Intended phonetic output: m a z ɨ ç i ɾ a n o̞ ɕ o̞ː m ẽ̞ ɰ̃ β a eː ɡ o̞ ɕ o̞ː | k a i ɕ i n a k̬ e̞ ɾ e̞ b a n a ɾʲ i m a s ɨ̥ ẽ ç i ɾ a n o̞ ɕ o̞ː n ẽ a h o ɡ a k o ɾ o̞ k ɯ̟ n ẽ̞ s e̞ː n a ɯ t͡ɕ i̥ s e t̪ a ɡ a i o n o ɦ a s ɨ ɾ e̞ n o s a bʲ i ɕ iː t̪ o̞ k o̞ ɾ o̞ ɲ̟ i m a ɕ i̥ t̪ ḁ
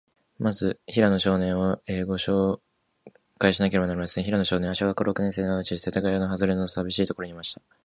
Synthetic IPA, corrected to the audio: m a z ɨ ç i ɾ a n o̞ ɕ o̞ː n ẽ̞ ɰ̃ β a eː ɡ o̞ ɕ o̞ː | k a i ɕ i n a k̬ e̞ ɾ e̞ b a n a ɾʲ i m a s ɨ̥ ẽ ç i ɾ a n o̞ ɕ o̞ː n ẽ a ɕ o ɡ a k o ɾ o̞ k ɯ̟ n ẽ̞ s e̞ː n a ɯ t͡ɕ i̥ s e t̪ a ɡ a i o n o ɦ a z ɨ ɾ e̞ n o s a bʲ i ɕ iː t̪ o̞ k o̞ ɾ o̞ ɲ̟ i m a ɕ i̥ t̪ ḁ